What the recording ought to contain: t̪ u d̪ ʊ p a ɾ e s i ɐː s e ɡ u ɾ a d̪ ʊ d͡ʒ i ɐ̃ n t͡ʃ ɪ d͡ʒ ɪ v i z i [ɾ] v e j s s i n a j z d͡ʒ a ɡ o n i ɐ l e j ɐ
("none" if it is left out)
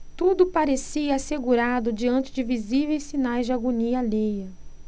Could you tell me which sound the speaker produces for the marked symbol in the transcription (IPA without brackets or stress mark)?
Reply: none